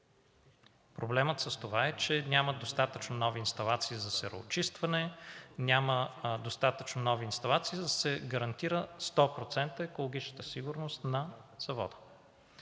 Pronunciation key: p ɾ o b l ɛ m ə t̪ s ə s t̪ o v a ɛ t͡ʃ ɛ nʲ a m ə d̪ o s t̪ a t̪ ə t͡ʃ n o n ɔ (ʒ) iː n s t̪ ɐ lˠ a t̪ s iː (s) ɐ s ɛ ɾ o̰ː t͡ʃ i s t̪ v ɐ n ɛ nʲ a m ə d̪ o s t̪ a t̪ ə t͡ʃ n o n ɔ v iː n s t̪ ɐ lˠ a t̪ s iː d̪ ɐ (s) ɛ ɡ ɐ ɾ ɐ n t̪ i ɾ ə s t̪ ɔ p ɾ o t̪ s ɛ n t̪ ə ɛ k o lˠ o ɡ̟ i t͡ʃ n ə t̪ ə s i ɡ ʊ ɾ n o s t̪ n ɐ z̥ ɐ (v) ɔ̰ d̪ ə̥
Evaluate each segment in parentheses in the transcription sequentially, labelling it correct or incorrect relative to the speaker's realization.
incorrect: v, incorrect: z, correct, correct

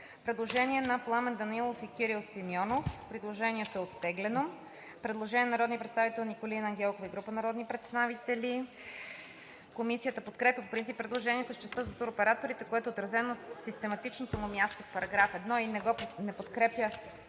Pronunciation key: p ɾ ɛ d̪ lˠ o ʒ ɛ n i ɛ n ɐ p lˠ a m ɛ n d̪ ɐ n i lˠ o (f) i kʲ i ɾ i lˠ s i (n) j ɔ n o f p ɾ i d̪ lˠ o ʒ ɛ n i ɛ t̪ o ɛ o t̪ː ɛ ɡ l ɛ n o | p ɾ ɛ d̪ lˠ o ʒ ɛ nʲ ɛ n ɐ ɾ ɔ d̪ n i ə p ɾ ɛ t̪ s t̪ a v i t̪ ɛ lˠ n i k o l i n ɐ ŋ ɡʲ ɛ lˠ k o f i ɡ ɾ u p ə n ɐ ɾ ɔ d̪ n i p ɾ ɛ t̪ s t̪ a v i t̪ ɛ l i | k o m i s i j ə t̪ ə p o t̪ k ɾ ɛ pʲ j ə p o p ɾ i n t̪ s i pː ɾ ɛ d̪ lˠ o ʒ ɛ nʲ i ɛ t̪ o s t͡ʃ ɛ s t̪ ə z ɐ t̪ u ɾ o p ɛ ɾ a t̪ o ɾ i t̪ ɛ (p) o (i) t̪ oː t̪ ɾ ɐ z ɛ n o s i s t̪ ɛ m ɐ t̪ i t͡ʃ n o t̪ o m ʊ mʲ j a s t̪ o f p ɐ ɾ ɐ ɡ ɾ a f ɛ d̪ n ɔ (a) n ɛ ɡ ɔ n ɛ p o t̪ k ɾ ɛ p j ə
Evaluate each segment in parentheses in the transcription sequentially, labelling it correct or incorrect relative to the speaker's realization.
correct, incorrect: m, incorrect: k, incorrect: ɛ, incorrect: i

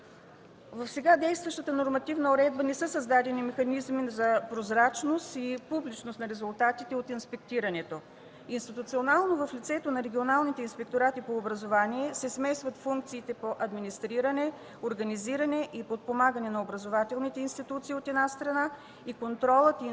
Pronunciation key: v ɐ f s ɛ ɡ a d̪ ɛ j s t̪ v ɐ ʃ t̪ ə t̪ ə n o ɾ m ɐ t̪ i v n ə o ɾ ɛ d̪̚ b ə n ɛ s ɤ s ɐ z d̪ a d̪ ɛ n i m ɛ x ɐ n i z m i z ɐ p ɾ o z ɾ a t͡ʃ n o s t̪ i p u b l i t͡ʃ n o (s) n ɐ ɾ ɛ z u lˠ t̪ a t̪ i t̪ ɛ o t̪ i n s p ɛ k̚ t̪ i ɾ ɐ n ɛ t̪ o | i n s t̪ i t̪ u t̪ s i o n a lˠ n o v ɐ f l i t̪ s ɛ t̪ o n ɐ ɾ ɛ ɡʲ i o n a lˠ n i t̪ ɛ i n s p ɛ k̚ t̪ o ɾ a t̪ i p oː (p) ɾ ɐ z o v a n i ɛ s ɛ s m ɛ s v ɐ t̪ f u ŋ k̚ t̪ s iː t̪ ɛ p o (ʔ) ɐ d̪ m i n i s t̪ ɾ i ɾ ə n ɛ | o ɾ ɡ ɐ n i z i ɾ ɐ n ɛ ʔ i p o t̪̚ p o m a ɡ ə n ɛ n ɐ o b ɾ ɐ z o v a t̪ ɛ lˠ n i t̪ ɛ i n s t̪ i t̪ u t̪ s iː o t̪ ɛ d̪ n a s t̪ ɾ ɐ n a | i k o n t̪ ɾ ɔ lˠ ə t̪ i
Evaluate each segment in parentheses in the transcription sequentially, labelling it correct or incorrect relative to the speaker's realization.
correct, incorrect: b, correct

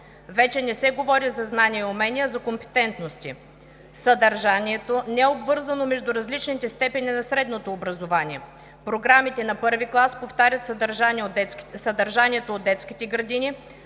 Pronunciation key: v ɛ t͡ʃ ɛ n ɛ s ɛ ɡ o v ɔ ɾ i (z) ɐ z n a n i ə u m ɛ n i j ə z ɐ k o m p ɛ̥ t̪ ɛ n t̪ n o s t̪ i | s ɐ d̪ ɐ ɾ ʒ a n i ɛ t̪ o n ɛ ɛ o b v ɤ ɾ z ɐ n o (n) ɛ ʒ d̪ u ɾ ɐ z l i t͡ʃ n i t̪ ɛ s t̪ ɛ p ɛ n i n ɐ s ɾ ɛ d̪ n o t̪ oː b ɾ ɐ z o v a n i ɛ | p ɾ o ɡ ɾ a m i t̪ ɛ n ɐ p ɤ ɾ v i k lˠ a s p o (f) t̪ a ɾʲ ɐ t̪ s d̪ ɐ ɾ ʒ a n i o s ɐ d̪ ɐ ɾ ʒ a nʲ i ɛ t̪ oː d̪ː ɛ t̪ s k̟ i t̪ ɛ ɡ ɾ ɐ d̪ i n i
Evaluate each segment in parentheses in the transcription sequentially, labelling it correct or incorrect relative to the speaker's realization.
correct, incorrect: m, correct

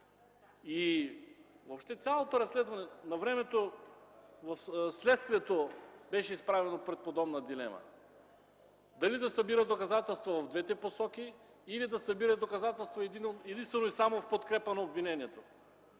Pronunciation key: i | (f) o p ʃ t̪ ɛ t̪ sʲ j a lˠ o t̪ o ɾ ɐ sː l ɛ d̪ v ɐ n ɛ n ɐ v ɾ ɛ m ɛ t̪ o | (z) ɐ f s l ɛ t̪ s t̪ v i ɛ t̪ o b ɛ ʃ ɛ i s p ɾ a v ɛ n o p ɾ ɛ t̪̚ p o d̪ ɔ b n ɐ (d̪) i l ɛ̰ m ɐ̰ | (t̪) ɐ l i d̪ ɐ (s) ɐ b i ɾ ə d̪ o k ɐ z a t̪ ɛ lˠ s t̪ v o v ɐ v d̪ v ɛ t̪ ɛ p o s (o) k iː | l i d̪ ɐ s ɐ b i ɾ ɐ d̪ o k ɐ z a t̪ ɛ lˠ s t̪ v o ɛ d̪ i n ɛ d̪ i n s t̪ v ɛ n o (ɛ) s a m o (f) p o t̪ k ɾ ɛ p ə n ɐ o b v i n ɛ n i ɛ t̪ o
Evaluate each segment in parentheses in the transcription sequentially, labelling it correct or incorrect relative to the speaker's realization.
incorrect: v, incorrect: v, correct, incorrect: d̪, correct, incorrect: ɔ, incorrect: i, correct

